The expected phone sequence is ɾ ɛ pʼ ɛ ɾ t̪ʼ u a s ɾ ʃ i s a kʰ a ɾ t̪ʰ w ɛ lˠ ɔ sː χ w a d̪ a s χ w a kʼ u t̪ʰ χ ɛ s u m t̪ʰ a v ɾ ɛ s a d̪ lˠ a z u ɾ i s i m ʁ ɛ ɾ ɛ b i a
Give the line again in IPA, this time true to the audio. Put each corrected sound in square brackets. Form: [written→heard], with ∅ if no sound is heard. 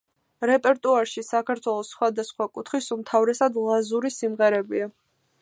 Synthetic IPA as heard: ɾ ɛ pʼ ɛ ɾ t̪ʼ u a [s→∅] ɾ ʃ i s a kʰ a ɾ t̪ʰ w ɛ lˠ ɔ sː χ w a d̪ a s χ w a kʼ u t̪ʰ χ [ɛ→i] s u m t̪ʰ a v ɾ ɛ s a d̪ lˠ a z u ɾ i s i m ʁ ɛ ɾ ɛ b i a

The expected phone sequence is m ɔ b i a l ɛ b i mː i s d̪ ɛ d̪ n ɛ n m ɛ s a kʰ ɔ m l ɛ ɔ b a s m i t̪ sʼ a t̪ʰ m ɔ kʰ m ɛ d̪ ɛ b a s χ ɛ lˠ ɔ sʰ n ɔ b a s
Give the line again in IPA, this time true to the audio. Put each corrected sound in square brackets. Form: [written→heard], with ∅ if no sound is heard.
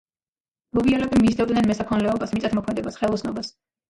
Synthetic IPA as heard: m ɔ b i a l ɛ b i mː i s d̪ ɛ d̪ n ɛ n m ɛ s a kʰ ɔ [m→n] l ɛ ɔ b a s m i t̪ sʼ a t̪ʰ m ɔ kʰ m ɛ d̪ ɛ b a s χ ɛ lˠ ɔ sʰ n ɔ b a s

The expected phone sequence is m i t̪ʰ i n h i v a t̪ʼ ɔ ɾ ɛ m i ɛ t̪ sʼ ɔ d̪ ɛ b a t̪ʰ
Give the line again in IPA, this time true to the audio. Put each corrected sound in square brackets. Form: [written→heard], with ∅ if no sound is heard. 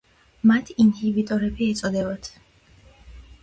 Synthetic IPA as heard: m [i→a] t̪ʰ i n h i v [a→i] t̪ʼ ɔ ɾ ɛ [m→b] i ɛ t̪ sʼ ɔ d̪ ɛ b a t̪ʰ

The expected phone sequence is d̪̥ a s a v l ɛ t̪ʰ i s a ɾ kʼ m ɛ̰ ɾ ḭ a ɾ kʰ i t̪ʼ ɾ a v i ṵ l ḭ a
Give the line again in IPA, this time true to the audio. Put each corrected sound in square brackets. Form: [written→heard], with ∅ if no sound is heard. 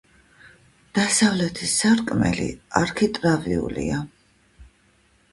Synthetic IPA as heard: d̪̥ a s a v l ɛ t̪ʰ i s a ɾ kʼ m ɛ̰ [ɾ→l] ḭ a ɾ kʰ i t̪ʼ ɾ a v i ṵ l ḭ a

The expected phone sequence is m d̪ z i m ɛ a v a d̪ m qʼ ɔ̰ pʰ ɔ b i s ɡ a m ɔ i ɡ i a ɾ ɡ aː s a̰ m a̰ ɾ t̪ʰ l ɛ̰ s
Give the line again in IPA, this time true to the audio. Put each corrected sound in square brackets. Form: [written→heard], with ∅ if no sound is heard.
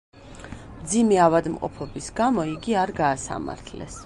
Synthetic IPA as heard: m d̪ z i m ɛ a v a d̪ m qʼ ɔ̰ pʰ ɔ b i s ɡ a m ɔ i ɡ i a ɾ ɡ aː s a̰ m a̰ ɾ t̪ʰ l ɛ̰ s

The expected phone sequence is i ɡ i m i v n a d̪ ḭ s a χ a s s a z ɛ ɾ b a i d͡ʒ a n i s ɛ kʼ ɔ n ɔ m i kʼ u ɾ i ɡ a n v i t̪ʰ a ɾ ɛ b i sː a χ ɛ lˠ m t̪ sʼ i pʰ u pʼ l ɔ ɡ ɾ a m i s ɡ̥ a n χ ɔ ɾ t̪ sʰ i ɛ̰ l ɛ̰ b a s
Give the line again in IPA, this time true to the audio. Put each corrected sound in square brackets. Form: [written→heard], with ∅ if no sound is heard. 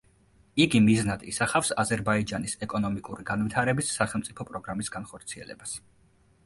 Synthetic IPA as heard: i ɡ i m i [v→z] n a d̪ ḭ s a χ a [s→f] s a z ɛ ɾ b a i d͡ʒ a n i s ɛ kʼ ɔ n ɔ m i kʼ u ɾ i ɡ a n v i t̪ʰ a ɾ ɛ b i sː a χ ɛ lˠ m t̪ sʼ i pʰ [u→ɔ] pʼ [l→ɾ] ɔ ɡ ɾ a m i s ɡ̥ a n χ ɔ ɾ t̪ sʰ i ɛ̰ l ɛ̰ b a s

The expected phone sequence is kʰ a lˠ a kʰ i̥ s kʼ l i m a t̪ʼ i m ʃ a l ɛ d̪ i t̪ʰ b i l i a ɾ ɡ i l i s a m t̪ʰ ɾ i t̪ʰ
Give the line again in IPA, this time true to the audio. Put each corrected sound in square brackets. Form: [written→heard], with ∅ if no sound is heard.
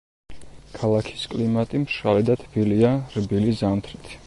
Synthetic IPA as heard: kʰ a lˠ a kʰ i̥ s kʼ l i m a t̪ʼ i m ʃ a l ɛ d̪ [i→a] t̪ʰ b i l i a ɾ [ɡ→b] i l i [s→z] a m t̪ʰ ɾ i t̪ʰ

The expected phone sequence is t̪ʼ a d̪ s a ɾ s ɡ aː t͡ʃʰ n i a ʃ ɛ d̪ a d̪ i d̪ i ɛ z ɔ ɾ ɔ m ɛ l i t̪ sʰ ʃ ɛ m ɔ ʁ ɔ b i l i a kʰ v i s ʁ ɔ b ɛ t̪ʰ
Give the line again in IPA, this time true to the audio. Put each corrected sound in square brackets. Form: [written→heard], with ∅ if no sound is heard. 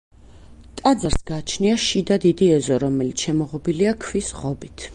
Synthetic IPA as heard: t̪ʼ a d̪ [s→z] a ɾ s ɡ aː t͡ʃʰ n i a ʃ [ɛ→i] d̪ a d̪ i d̪ i ɛ z ɔ ɾ ɔ m ɛ l i t̪ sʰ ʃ ɛ m ɔ ʁ ɔ b i l i a kʰ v i s ʁ ɔ b [ɛ→i] t̪ʰ

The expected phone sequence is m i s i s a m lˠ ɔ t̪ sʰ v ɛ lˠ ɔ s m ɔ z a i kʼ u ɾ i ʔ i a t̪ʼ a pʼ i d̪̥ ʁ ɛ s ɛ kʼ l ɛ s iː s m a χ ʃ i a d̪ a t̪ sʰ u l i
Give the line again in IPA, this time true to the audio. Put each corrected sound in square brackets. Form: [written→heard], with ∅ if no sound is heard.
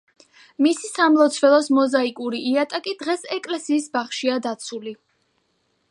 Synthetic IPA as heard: m i s i s a m lˠ ɔ t̪ sʰ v ɛ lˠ ɔ s m ɔ z a i kʼ u ɾ i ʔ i a t̪ʼ a [pʼ→kʼ] i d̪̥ ʁ ɛ s ɛ kʼ l ɛ s iː s [m→b] a χ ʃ i a d̪ a t̪ sʰ u l i

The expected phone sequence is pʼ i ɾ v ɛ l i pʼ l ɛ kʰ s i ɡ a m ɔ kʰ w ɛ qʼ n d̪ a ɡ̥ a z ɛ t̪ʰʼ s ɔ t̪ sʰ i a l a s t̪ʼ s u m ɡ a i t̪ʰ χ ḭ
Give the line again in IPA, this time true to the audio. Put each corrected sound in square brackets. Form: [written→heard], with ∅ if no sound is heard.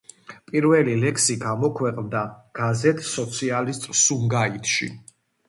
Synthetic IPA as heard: pʼ i ɾ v ɛ l i [pʼ→∅] l ɛ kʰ s i ɡ a m ɔ kʰ w ɛ qʼ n d̪ a ɡ̥ a z ɛ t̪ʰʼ s ɔ t̪ sʰ i a l [a→i] s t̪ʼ s u m ɡ a i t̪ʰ [χ→ʃ] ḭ

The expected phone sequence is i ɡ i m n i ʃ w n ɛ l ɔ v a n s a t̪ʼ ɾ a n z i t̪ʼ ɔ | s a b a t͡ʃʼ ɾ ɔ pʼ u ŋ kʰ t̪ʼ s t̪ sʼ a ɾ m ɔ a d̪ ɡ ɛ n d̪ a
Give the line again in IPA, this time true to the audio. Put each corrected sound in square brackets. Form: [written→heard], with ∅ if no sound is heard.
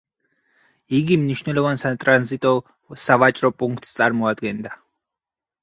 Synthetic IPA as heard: i ɡ i m n i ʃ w n ɛ l ɔ v a n s a t̪ʼ ɾ a n z i t̪ʼ ɔ | s a [b→v] a t͡ʃʼ ɾ ɔ pʼ u ŋ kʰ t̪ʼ s t̪ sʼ a ɾ m ɔ a d̪ ɡ ɛ n d̪ a

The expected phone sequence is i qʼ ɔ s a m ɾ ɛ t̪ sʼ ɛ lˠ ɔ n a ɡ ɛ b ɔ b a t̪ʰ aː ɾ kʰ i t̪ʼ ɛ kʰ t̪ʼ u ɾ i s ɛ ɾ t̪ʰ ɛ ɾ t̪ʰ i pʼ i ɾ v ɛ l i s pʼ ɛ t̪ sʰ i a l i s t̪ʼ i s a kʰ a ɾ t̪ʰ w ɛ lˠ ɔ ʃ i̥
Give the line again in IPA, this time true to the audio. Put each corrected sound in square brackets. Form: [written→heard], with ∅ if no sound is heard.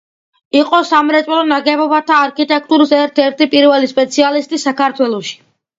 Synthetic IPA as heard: i qʼ ɔ s a m ɾ ɛ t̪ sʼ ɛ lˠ ɔ n a ɡ ɛ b ɔ b a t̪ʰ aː ɾ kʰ i t̪ʼ ɛ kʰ t̪ʼ u ɾ i s ɛ ɾ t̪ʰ ɛ ɾ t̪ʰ i pʼ i ɾ v ɛ l i s pʼ ɛ t̪ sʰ i a l i s t̪ʼ i s a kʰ a ɾ t̪ʰ w ɛ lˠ ɔ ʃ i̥

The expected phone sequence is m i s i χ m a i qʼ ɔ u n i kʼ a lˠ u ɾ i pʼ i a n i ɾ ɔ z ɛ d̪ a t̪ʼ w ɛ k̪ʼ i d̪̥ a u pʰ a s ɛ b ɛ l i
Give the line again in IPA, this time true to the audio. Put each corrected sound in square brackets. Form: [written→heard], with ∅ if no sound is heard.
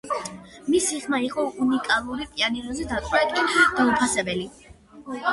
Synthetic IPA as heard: m i s i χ m a i qʼ ɔ u n i kʼ a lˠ u ɾ i pʼ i a n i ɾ ɔ z ɛ d̪ a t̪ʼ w ɛ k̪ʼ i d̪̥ a u pʰ a s ɛ b ɛ l i

